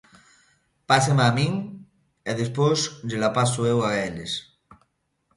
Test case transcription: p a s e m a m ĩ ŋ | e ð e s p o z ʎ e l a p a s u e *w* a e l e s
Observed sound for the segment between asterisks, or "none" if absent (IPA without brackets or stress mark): w